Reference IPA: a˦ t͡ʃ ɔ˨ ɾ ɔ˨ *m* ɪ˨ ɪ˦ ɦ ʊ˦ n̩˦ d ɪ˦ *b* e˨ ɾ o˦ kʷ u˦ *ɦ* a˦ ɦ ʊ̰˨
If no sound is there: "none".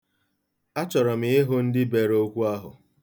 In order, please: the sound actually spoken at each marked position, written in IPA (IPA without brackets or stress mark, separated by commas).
m, b, none